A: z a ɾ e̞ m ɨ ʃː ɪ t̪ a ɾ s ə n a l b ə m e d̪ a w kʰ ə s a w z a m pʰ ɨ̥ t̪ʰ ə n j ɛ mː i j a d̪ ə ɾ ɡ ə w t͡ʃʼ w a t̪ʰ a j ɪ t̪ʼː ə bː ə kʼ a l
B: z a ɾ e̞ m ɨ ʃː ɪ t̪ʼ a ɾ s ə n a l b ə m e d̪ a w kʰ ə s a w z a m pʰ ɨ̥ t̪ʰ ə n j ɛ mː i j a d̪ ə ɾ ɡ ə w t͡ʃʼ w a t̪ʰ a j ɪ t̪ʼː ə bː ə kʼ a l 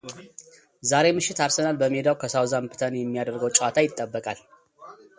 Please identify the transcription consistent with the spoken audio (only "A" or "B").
A